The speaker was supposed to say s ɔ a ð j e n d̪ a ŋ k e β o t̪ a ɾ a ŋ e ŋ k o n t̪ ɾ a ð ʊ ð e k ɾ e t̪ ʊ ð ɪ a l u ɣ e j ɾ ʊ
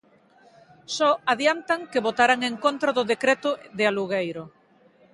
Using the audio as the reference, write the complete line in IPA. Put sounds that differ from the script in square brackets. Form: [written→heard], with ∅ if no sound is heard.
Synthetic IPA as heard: s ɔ a ð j [e→a] n [d̪→t̪] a ŋ k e β o t̪ a ɾ a ŋ e ŋ k o n t̪ ɾ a ð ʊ ð e k ɾ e t̪ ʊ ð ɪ a l u ɣ e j ɾ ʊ